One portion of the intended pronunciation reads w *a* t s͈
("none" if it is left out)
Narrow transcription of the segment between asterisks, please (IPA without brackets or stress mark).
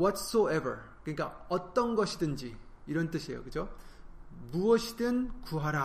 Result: ʌ